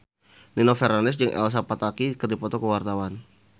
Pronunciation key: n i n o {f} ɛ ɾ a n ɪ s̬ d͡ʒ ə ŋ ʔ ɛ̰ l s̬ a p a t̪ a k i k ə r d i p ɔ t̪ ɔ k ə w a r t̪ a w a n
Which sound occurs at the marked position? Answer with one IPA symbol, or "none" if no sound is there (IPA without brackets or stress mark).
f